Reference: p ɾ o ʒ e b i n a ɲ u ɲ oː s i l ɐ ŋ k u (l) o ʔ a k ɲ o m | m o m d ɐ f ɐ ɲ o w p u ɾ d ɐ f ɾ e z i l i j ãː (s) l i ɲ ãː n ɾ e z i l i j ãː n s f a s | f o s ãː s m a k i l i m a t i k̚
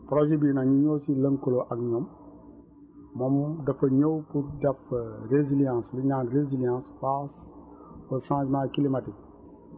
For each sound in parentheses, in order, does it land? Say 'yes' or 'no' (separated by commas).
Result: yes, yes